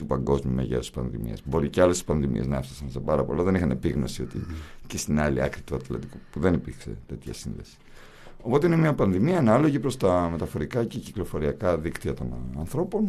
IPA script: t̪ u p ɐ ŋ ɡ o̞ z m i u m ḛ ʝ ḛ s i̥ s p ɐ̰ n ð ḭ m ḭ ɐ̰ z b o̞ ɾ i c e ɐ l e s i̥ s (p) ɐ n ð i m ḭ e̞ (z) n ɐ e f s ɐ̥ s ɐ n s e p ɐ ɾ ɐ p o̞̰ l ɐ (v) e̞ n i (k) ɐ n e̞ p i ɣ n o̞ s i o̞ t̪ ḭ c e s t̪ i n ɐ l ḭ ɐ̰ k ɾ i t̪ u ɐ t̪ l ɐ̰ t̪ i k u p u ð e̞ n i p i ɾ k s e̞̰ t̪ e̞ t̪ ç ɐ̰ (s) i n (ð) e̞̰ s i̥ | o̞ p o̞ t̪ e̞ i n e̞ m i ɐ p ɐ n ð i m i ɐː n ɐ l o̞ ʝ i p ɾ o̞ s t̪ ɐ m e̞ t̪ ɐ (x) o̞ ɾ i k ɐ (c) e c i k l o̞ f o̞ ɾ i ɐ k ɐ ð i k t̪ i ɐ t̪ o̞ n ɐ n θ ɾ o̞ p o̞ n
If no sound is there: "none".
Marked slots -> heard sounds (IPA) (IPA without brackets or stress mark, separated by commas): p, z, ð, x, s, ð, f, c